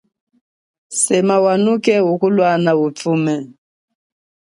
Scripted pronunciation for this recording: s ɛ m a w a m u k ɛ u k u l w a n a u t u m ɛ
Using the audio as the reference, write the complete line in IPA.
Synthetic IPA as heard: s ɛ m a w a n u k ɛ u k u l w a n a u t u m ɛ